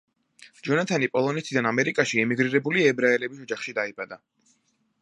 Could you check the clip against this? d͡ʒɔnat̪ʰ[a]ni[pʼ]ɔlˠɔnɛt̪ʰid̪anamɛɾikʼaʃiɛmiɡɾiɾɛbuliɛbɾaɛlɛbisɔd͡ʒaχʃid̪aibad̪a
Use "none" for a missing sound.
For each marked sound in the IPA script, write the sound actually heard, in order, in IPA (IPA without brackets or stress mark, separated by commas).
a, pʼ